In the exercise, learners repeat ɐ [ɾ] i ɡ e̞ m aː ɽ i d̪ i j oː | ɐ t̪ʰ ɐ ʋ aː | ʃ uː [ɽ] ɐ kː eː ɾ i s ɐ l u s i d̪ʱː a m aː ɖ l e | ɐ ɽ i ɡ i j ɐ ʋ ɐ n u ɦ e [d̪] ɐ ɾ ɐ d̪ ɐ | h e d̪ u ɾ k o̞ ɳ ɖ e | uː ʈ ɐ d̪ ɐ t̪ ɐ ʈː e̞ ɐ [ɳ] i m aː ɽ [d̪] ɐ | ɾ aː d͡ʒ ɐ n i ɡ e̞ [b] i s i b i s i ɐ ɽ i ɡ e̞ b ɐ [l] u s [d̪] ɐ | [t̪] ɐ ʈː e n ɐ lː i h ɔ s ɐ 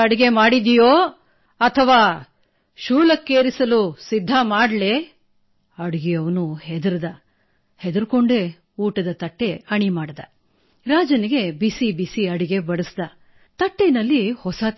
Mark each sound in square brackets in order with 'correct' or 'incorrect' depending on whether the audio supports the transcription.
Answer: incorrect: ɽ, incorrect: l, correct, correct, correct, correct, incorrect: ɽ, correct, correct

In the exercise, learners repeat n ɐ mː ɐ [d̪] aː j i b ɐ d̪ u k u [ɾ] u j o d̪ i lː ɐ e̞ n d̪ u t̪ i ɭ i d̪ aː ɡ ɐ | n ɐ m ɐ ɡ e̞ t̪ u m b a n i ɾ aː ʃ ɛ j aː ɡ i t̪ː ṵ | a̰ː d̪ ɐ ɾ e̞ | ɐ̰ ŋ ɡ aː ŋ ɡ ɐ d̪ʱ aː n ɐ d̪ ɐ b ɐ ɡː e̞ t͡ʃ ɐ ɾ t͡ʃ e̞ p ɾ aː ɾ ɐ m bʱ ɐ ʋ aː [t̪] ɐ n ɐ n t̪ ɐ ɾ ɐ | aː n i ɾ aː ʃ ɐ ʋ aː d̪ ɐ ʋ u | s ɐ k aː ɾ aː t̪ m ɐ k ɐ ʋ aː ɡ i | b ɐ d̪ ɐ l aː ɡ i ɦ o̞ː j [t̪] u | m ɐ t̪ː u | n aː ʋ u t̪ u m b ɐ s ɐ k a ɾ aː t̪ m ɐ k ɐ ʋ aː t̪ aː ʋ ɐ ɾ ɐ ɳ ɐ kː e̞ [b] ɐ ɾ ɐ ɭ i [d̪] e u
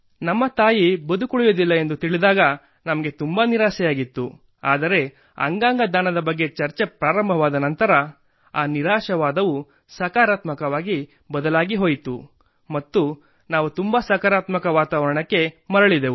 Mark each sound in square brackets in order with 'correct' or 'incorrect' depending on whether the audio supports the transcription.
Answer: incorrect: t̪, incorrect: ɭ, incorrect: d̪, correct, incorrect: m, correct

